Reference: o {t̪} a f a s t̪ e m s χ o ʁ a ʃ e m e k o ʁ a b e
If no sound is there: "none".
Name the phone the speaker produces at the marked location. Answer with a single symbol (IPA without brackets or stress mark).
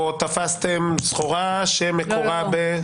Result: t̪